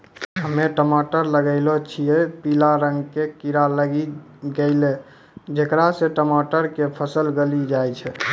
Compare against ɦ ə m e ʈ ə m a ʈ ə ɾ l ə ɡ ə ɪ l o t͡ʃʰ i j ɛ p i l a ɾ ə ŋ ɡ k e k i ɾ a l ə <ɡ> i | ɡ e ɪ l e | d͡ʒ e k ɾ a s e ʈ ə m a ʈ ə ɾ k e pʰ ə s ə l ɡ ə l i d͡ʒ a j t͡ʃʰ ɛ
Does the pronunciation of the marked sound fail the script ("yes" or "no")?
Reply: no